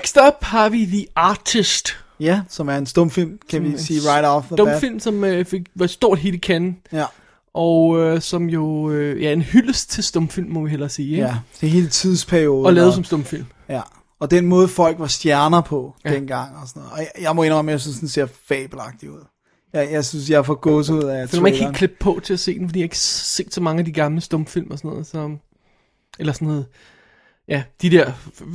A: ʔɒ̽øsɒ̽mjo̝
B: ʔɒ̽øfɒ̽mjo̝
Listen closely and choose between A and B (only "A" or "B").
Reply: A